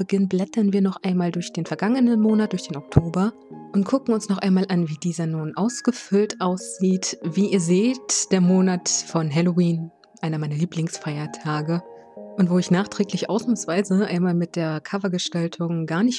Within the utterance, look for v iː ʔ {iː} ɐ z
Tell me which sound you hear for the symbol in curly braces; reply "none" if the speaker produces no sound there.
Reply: iː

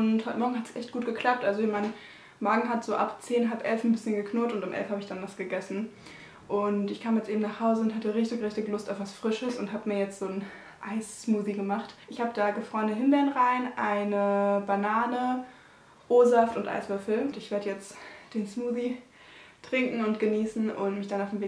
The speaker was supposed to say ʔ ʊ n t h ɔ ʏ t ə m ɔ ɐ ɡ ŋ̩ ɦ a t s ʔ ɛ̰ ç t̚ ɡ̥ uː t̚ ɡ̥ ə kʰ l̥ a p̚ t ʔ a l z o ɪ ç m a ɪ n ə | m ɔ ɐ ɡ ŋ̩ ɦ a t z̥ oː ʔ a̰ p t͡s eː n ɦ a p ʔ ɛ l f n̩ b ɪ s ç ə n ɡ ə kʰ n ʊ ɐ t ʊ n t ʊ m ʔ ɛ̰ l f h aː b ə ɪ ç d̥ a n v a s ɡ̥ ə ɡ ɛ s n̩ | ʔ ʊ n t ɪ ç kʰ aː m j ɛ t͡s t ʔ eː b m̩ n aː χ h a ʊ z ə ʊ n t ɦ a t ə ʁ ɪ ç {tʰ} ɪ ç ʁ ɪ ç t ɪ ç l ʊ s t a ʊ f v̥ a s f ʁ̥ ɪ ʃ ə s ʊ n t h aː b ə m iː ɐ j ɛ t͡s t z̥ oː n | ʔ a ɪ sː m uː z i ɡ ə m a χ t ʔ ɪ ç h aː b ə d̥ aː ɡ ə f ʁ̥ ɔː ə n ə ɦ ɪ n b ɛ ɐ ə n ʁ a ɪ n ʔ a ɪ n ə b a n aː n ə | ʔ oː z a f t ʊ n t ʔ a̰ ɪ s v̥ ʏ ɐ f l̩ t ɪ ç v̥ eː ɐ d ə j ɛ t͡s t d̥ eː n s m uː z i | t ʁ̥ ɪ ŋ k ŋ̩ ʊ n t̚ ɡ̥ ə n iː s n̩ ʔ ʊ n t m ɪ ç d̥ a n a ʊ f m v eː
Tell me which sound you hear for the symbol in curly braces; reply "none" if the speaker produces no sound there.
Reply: t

